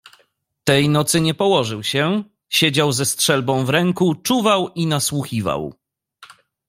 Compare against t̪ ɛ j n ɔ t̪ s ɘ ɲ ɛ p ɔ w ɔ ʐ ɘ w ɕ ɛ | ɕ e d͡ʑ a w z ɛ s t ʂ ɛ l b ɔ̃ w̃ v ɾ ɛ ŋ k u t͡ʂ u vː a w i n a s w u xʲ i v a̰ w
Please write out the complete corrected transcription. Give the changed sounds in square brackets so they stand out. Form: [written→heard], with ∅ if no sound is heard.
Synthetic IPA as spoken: t̪ ɛ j n ɔ t̪ s ɘ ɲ ɛ p ɔ w ɔ ʐ ɘ w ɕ ɛ | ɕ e d͡ʑ a w z ɛ s t ʂ ɛ l b ɔ̃ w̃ v ɾ ɛ ŋ k u t͡ʂ u [vː→v] a w i n a s w u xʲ i v a̰ w